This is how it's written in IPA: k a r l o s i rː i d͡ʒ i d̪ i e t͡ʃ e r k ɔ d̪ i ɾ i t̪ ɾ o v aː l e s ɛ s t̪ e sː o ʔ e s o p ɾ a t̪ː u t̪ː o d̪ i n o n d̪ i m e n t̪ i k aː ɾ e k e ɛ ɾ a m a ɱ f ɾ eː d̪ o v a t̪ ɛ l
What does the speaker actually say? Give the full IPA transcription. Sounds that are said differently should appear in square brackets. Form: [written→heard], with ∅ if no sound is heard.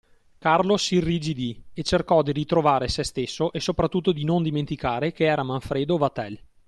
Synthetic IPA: k a r l o s i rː i d͡ʒ i d̪ i e t͡ʃ e r k ɔ d̪ i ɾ i t̪ ɾ o v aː [l→ɾ] e s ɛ s t̪ e sː o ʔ e s o p ɾ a t̪ː u t̪ː o d̪ i n o n d̪ i m e n t̪ i k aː ɾ e k e [ɛ→ɛː] ɾ a m a ɱ f ɾ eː d̪ o v a t̪ ɛ l